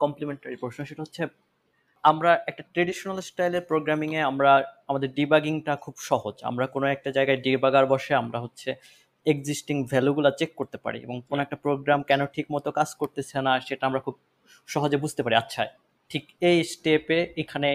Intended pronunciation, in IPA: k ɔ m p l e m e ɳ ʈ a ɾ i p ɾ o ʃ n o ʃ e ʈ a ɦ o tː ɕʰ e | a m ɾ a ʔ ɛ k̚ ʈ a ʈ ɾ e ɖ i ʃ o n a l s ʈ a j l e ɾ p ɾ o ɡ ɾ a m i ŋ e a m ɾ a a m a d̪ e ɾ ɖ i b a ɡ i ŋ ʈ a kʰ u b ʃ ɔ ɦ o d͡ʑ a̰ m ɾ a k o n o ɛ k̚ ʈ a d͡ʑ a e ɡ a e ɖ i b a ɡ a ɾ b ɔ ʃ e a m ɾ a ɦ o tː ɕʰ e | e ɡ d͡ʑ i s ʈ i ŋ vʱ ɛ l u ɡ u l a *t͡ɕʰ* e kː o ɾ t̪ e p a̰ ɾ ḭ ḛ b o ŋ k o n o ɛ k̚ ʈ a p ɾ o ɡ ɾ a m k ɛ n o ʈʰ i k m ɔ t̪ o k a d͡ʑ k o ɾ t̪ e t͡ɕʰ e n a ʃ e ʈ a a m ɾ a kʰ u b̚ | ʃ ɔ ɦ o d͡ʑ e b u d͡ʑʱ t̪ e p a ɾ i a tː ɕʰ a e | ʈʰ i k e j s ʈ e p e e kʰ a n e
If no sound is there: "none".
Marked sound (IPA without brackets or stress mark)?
t͡ɕ